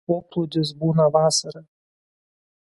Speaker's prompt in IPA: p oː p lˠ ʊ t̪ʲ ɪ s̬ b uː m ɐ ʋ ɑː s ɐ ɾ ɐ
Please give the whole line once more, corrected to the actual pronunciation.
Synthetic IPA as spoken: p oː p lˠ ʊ d̪ʲ ɪ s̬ b uː n ɐ ʋ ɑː s ɐ ɾ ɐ